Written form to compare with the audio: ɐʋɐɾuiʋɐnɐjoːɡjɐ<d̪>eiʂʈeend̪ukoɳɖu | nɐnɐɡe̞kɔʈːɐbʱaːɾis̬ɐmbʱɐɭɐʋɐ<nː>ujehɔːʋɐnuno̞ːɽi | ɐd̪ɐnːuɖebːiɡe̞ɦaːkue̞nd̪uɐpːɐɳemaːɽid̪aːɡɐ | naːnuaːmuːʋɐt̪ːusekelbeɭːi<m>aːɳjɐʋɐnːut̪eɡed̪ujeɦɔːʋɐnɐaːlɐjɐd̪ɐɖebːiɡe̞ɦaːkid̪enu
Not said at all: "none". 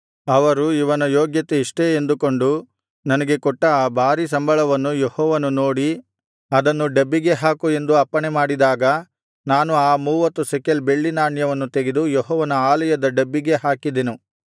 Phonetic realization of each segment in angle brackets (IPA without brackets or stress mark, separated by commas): t̪, nː, n